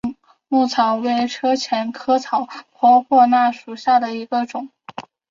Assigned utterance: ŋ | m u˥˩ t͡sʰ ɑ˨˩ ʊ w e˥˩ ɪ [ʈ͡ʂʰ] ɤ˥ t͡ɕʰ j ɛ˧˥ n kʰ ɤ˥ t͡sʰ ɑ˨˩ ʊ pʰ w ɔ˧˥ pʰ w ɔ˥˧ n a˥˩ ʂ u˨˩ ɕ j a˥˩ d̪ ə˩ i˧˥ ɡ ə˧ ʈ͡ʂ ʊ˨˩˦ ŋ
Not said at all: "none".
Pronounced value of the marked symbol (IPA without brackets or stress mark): ʈ͡ʂʰ